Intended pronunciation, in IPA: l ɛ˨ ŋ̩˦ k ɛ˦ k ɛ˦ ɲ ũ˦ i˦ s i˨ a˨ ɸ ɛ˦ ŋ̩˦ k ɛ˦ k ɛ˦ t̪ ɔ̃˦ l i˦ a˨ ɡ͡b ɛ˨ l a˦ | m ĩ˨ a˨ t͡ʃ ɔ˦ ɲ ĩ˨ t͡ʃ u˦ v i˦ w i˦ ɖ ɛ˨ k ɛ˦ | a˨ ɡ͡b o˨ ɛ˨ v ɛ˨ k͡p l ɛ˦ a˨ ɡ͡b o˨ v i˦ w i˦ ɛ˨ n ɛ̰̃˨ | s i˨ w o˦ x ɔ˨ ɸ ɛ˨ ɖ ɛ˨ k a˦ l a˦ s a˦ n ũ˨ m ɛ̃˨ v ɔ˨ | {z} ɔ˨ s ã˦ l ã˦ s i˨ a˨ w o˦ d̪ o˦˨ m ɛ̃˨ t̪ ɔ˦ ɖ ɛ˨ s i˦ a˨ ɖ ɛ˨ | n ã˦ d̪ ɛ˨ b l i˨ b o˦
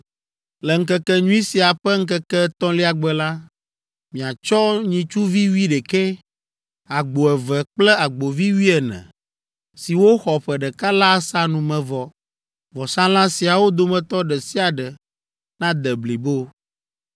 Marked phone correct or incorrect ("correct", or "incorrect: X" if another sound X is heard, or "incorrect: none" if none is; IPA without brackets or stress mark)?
incorrect: v